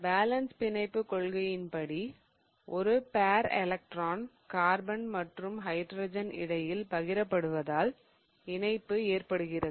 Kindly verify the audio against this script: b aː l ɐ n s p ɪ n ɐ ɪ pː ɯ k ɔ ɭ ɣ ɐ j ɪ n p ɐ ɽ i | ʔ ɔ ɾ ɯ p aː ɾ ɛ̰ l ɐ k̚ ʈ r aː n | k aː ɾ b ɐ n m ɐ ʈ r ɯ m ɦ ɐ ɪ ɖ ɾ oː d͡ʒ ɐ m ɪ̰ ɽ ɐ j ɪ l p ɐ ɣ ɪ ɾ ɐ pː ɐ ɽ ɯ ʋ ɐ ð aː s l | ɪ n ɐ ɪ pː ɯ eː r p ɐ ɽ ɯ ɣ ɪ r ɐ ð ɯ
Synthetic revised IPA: b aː l ɐ n s p ɪ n ɐ ɪ pː ɯ k ɔ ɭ ɣ ɐ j ɪ n p ɐ ɽ i | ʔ ɔ ɾ ɯ p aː ɾ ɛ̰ l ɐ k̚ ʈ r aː n | k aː ɾ b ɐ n m ɐ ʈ r ɯ m ɦ ɐ ɪ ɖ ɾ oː d͡ʒ ɐ n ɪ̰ ɽ ɐ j ɪ l p ɐ ɣ ɪ ɾ ɐ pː ɐ ɽ ɯ ʋ ɐ ð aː l | ɪ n ɐ ɪ pː ɯ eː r p ɐ ɽ ɯ ɣ ɪ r ɐ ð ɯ